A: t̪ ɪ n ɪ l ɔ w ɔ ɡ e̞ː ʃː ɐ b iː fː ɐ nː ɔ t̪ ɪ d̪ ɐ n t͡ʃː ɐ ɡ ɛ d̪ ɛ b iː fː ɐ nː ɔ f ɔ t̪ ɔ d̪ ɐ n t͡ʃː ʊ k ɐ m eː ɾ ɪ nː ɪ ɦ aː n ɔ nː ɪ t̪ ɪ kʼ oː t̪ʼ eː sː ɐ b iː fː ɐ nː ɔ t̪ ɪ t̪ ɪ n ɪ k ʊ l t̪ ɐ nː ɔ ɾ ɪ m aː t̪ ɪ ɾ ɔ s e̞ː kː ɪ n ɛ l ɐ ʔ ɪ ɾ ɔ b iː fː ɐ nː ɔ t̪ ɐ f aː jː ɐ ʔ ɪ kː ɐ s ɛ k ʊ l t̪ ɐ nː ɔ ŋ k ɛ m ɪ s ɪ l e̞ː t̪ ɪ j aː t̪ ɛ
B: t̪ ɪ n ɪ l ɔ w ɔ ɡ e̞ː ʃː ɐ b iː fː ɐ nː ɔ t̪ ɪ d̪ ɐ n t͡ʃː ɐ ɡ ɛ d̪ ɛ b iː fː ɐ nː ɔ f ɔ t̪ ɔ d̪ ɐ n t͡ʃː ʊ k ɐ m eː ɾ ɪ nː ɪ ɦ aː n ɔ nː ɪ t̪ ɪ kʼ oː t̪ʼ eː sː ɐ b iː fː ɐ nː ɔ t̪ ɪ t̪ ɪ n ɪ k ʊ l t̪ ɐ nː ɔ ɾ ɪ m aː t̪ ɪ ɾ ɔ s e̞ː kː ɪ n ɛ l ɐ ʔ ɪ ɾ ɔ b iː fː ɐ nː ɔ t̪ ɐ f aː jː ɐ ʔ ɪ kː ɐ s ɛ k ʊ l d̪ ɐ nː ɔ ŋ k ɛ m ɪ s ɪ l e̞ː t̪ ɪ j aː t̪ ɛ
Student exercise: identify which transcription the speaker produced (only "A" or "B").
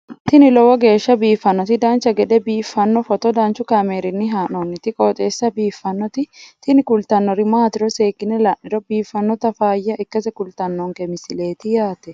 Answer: A